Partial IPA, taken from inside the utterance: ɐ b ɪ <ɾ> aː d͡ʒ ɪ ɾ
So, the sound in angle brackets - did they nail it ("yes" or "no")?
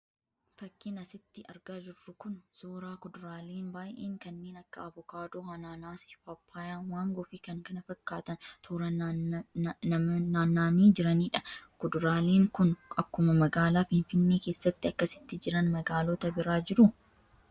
yes